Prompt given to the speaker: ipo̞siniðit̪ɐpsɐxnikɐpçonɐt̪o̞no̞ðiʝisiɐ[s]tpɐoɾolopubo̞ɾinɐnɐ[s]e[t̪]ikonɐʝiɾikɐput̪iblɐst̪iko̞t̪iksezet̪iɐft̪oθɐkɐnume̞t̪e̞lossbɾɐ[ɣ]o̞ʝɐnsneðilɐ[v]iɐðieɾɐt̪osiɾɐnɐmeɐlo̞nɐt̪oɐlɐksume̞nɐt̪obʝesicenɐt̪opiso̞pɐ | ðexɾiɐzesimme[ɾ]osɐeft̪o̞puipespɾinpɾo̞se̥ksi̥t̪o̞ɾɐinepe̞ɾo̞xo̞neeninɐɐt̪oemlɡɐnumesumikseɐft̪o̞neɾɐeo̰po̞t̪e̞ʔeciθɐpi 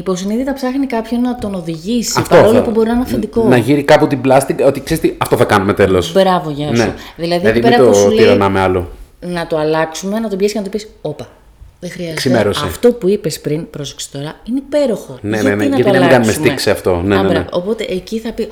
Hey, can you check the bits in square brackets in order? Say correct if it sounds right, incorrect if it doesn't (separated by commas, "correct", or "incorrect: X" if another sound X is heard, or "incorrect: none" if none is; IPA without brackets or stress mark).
incorrect: f, incorrect: f, incorrect: d̪, incorrect: v, incorrect: ð, correct